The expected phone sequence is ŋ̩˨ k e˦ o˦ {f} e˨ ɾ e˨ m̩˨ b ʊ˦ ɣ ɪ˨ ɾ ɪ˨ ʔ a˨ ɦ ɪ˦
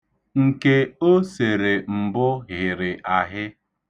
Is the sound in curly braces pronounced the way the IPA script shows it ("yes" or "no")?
no